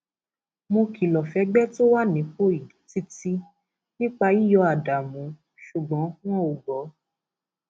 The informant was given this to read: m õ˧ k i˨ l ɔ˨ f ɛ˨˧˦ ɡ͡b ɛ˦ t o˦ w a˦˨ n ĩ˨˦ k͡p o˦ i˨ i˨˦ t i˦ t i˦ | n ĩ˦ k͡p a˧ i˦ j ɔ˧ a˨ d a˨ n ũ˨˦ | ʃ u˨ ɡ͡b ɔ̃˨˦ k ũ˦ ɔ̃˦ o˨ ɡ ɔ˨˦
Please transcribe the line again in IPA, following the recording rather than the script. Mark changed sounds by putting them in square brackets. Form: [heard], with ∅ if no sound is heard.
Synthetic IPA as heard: m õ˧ k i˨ l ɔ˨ f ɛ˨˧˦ ɡ͡b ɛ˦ t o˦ w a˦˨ n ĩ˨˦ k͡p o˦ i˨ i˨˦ t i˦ t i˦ | n ĩ˦ k͡p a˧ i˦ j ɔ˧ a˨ d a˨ [m] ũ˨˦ | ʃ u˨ ɡ͡b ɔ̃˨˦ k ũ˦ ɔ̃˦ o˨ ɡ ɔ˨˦

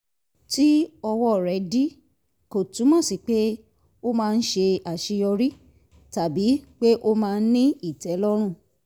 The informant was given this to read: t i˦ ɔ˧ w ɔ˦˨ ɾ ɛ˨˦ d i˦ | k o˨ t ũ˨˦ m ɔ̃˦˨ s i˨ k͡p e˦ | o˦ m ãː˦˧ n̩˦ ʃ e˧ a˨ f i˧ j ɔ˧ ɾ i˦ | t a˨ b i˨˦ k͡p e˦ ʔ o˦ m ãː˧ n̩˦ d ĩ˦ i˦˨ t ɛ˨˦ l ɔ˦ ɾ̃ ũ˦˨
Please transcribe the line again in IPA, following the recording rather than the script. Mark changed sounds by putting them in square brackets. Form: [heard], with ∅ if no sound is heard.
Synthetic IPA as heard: t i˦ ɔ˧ w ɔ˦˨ ɾ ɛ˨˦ d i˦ | k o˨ t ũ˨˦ m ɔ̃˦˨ s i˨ k͡p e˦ | o˦ m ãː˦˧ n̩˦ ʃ e˧ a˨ [ʃ] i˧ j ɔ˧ ɾ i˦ | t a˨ b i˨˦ k͡p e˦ ʔ o˦ m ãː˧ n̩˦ [n] ĩ˦ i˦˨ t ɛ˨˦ l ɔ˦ ɾ̃ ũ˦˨

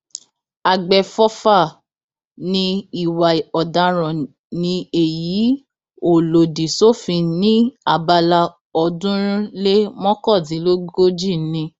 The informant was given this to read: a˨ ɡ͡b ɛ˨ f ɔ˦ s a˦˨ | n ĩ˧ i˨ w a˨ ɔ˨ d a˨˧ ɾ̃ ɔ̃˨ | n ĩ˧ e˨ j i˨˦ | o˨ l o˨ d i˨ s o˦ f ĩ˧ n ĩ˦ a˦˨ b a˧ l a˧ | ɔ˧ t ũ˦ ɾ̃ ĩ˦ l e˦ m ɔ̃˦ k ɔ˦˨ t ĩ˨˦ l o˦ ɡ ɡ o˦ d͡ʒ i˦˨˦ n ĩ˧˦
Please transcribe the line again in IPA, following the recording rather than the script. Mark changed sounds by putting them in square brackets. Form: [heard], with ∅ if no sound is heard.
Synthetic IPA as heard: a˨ ɡ͡b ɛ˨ f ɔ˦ [f] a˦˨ | n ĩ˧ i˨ w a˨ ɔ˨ d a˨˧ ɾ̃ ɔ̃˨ | n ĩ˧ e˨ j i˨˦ | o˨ l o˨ d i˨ s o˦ f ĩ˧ n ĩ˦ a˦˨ b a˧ l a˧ | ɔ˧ [d] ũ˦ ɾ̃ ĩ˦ l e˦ m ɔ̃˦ k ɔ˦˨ t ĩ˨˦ l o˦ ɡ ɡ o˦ d͡ʒ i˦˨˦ n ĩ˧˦

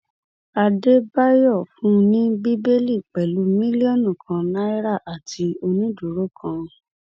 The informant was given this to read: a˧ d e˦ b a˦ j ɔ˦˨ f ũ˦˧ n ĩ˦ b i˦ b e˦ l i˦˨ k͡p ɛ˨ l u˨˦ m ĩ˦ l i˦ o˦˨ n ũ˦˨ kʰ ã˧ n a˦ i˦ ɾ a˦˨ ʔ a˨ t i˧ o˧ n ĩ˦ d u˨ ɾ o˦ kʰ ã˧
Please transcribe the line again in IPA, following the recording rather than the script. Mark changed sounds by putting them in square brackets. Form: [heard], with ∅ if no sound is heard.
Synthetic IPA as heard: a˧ d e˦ b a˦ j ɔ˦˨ f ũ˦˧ n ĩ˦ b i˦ b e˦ l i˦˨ k͡p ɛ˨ l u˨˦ m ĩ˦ l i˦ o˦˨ n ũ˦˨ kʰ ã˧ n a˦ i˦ ɾ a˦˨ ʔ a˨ t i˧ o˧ n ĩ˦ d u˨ ɾ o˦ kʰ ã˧

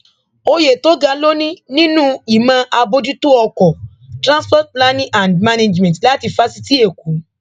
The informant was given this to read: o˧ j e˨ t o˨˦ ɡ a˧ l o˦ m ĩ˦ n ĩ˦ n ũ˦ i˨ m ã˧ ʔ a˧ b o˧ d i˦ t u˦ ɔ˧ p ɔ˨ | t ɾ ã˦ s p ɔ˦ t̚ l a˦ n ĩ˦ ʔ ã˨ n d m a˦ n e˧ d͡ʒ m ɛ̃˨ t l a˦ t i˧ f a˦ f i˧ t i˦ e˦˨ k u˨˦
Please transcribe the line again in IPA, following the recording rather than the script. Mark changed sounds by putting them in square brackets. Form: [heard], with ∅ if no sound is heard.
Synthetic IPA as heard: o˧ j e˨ t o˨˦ ɡ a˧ l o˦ [n] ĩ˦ n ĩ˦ n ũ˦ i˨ m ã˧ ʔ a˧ b o˧ d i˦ t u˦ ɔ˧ [k] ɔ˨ | t ɾ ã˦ s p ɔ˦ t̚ l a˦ n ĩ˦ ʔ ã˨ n d m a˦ n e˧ d͡ʒ m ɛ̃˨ t l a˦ t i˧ f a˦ [s] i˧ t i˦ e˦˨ k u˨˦

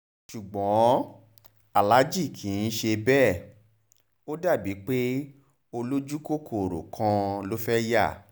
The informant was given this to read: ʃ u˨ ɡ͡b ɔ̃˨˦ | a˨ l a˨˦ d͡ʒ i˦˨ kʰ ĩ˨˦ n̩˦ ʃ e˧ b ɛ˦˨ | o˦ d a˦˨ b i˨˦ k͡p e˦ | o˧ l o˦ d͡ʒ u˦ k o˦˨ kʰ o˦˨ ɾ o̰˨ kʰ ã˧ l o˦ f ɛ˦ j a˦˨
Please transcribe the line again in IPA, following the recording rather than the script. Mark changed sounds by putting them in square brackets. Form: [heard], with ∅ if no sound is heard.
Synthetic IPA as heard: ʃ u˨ ɡ͡b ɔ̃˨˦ | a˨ l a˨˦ d͡ʒ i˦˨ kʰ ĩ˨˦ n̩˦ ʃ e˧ b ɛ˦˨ | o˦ d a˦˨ b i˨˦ k͡p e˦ | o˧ l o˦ d͡ʒ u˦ k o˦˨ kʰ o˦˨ ɾ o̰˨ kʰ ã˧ l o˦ f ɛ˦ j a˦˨

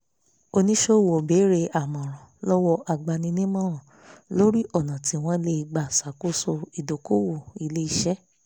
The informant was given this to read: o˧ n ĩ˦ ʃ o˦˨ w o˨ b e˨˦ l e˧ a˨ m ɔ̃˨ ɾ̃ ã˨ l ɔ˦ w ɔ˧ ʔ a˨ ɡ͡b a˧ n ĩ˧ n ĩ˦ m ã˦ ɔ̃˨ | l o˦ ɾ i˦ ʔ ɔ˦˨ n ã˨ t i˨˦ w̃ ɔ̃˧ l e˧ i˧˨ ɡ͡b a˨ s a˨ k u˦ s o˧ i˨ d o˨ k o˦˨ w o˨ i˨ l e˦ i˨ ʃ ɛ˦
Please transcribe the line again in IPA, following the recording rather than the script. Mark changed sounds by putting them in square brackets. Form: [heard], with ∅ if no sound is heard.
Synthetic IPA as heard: o˧ n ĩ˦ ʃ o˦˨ w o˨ b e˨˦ [ɾ] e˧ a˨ m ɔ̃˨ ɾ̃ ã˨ l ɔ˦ w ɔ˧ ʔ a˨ ɡ͡b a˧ n ĩ˧ n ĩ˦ m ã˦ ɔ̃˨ | l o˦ ɾ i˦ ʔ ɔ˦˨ n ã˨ t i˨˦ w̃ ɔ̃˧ l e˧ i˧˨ ɡ͡b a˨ s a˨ k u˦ s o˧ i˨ d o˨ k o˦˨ w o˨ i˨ l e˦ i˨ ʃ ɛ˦

